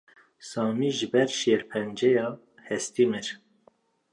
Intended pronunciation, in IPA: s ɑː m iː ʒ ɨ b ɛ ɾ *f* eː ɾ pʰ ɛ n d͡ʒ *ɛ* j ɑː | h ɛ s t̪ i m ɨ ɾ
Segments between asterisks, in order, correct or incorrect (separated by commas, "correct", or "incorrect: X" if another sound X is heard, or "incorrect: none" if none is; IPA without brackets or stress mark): incorrect: ʃ, correct